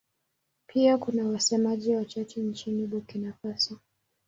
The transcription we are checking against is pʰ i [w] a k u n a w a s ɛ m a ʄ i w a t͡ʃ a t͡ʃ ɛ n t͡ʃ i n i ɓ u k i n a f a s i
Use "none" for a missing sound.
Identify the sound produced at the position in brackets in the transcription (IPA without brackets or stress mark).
none